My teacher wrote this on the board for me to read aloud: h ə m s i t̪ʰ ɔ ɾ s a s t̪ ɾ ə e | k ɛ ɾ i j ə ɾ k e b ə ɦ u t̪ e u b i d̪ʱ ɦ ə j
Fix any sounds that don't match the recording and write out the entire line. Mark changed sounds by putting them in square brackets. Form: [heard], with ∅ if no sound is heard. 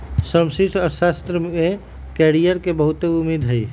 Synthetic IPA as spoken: [s] ə m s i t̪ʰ ɔ ɾ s a s t̪ ɾ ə e | k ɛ ɾ i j ə ɾ k e b ə ɦ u t̪ e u [m] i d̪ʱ ɦ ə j